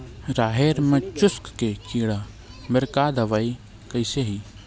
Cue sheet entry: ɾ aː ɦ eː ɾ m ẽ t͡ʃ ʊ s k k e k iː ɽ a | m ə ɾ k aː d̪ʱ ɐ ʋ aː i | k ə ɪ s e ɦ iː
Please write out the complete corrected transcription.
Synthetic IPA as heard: ɾ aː ɦ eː ɾ m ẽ t͡ʃ ʊ s k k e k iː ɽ a | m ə ɾ k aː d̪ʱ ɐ ʋ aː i | k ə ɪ s e ɦ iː